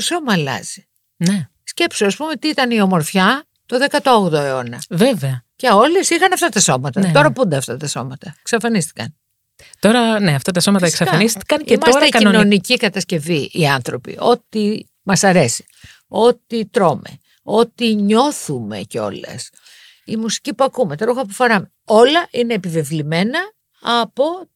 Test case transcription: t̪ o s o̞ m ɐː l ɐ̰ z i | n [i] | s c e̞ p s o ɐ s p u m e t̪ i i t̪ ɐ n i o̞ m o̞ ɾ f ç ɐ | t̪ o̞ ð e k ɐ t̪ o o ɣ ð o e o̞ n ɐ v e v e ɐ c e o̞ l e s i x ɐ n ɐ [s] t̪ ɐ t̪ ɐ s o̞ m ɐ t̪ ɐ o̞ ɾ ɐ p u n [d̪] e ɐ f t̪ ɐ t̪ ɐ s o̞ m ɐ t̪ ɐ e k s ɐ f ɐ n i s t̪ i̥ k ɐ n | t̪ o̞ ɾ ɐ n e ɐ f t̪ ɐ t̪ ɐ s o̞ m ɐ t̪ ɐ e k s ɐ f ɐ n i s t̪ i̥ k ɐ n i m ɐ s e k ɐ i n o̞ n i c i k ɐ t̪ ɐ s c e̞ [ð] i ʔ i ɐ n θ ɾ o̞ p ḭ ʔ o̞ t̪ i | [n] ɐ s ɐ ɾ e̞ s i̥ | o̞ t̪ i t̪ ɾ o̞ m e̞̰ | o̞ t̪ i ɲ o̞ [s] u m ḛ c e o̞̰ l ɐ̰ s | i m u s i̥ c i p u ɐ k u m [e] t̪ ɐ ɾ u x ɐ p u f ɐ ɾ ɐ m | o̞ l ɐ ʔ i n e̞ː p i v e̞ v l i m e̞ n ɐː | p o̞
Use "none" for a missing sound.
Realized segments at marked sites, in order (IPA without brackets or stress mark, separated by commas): e, f, d̪, v, m, θ, e